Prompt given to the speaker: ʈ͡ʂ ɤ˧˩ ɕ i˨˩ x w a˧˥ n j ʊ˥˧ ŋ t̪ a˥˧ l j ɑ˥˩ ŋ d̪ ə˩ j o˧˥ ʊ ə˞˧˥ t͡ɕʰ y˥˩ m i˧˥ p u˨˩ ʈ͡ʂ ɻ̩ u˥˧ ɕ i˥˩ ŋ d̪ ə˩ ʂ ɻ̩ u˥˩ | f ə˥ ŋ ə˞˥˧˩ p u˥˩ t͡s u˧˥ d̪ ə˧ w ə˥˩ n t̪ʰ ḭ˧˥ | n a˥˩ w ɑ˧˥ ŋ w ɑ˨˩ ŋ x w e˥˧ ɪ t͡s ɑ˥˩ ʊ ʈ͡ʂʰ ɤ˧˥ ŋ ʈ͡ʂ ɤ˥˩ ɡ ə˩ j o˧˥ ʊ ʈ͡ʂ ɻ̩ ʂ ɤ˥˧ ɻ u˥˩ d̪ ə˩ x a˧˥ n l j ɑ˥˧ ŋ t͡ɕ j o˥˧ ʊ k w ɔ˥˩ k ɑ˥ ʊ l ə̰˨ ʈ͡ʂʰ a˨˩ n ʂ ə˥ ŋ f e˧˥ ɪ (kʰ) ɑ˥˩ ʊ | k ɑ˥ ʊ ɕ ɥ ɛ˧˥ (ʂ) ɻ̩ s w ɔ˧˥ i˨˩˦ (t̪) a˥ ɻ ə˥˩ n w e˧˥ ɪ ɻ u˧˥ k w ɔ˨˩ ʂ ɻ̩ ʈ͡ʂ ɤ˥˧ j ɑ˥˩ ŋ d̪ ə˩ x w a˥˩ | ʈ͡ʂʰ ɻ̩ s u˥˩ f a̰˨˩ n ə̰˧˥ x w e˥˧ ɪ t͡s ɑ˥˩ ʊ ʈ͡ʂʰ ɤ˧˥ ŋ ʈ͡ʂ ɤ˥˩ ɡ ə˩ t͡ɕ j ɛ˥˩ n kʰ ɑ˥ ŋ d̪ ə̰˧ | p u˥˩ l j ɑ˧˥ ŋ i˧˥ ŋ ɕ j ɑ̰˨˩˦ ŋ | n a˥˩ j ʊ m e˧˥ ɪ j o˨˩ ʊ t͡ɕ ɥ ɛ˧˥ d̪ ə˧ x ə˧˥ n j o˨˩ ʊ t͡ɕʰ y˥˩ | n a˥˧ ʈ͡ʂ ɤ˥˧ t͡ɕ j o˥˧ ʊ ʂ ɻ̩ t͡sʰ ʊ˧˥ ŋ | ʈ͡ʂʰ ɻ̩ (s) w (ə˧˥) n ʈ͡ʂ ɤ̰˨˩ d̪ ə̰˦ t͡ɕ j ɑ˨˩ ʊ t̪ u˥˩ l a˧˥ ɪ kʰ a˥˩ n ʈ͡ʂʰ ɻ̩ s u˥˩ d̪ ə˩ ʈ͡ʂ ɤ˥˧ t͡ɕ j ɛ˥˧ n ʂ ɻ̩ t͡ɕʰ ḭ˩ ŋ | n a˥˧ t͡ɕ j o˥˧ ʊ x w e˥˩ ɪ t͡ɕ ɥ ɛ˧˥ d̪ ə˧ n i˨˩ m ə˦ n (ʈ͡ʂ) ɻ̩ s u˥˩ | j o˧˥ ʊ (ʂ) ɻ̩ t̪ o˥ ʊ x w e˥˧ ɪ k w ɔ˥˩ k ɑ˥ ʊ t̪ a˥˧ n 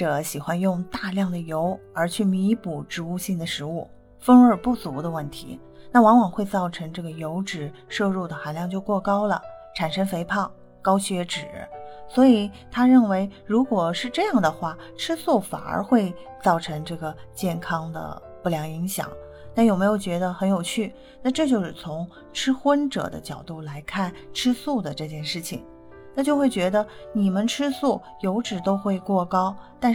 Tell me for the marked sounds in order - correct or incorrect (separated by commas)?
incorrect, incorrect, incorrect, incorrect, incorrect, incorrect, incorrect